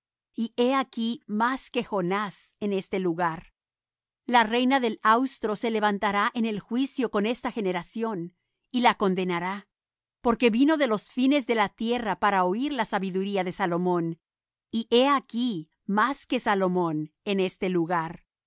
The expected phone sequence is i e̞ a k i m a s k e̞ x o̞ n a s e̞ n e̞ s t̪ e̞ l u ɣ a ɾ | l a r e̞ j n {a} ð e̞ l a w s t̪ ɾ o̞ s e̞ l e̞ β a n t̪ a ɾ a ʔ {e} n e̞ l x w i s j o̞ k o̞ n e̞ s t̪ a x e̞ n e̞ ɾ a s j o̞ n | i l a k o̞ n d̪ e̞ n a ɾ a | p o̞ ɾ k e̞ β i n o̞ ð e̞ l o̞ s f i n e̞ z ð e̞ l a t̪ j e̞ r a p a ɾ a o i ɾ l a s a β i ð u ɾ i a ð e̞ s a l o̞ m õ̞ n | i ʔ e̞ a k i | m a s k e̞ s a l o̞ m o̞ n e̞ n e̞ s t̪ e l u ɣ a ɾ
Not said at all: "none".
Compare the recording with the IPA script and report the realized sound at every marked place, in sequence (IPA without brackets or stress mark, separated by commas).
a, e